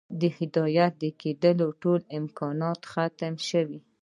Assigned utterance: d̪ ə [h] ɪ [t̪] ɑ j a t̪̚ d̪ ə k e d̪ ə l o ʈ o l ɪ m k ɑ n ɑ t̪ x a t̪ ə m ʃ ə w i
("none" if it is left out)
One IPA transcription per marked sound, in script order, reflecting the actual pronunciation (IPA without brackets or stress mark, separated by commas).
h, d̪